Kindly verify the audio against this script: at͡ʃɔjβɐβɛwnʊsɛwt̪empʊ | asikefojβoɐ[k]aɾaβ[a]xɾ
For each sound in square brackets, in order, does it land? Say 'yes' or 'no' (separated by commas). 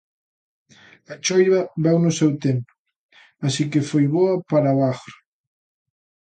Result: no, yes